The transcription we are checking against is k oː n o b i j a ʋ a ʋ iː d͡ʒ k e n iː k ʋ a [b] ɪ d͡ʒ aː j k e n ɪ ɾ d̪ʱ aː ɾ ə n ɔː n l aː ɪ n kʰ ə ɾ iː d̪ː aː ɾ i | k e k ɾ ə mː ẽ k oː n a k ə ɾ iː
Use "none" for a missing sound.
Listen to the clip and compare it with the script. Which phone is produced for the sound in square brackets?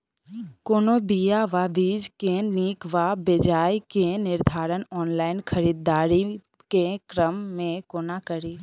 b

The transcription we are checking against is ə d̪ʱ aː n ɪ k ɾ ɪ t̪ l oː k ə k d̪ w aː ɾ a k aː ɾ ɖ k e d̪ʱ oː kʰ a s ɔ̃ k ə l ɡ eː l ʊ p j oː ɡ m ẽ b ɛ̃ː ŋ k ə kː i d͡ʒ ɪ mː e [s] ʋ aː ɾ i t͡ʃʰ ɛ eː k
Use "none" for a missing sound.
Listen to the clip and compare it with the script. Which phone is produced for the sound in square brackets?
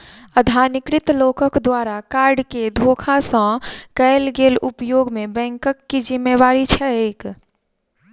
none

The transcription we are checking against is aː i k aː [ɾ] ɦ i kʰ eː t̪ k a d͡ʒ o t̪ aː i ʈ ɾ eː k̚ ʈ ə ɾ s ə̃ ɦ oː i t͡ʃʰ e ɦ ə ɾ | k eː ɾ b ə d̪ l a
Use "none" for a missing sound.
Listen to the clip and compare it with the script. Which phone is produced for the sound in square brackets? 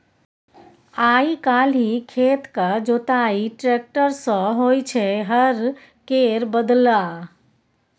l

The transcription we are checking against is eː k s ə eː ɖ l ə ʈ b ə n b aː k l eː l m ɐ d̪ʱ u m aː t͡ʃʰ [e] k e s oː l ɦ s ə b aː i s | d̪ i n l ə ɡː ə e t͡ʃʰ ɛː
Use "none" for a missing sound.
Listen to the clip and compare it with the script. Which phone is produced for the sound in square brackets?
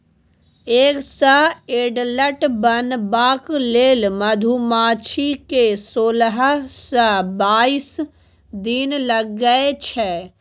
i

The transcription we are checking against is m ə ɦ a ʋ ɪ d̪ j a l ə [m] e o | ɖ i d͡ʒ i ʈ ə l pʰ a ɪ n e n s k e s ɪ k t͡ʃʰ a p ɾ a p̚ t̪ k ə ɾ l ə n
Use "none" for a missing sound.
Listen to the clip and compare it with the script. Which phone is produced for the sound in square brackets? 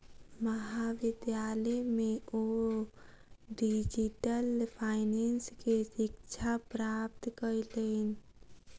m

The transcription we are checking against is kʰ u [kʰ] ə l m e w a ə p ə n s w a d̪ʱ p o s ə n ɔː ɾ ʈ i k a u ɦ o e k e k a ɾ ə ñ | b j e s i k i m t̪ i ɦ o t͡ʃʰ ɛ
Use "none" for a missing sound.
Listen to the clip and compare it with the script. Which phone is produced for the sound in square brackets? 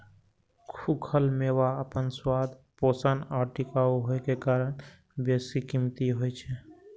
kʰ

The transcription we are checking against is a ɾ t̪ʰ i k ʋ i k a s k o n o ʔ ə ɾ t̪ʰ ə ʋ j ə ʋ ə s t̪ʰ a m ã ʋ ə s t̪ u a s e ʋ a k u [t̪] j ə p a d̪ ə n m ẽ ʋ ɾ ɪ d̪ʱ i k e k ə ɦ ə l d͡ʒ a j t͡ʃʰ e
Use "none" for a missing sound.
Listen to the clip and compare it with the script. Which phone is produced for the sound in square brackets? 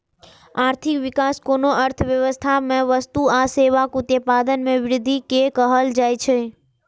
t̪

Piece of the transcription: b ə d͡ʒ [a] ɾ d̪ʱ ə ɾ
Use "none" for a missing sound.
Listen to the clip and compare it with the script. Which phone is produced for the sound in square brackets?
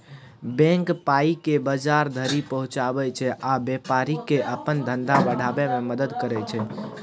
a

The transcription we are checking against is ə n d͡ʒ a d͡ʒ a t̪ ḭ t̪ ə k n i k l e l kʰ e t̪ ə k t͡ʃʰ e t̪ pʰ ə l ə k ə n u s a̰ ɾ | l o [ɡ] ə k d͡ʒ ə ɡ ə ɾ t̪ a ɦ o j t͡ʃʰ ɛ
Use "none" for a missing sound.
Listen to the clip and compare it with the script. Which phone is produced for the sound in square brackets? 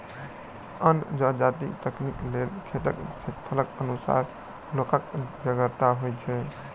k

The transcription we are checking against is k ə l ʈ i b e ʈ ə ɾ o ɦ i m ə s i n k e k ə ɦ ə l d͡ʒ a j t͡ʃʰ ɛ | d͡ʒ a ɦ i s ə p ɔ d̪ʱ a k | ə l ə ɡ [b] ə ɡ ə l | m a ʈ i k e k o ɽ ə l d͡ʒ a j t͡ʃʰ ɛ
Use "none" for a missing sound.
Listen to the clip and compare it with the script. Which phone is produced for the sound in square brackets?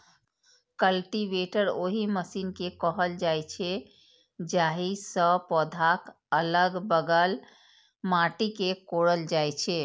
b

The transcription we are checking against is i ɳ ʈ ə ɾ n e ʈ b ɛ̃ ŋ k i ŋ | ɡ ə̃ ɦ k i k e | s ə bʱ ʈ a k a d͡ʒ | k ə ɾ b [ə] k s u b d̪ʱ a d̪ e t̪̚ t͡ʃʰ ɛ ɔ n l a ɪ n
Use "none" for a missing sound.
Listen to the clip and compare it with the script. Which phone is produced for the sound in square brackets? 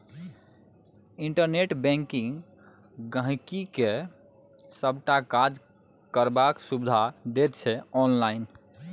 a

